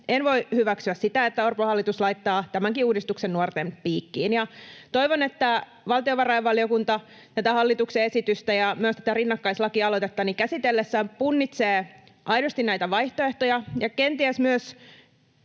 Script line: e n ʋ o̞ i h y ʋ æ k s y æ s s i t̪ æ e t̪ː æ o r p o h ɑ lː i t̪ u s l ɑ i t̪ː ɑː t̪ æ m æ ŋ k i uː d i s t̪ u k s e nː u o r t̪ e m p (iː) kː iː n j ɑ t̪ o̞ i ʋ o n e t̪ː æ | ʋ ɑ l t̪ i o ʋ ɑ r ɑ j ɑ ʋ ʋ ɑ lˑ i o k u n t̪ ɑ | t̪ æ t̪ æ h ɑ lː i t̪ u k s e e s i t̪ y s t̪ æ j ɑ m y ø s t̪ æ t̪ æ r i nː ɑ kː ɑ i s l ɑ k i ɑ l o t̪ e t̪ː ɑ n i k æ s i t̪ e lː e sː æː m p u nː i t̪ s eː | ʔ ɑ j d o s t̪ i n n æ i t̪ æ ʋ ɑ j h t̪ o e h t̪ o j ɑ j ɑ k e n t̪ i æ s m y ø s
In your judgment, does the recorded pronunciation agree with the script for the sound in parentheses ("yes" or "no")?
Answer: yes